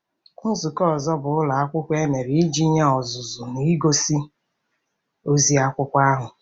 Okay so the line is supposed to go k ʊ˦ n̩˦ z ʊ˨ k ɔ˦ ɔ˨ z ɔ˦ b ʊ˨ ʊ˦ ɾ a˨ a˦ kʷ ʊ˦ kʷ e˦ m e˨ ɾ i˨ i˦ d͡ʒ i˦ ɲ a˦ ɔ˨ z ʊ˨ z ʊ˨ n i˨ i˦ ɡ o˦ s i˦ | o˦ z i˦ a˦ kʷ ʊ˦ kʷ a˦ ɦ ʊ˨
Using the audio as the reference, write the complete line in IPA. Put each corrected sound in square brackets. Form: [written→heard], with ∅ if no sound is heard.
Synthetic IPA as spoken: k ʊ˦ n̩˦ z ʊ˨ k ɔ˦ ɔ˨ z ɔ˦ b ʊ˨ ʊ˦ [ɾ→l] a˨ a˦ kʷ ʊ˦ kʷ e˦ m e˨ ɾ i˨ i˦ d͡ʒ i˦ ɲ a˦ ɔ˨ z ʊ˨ z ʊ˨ n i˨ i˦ ɡ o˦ s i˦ | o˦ z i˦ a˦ kʷ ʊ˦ kʷ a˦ ɦ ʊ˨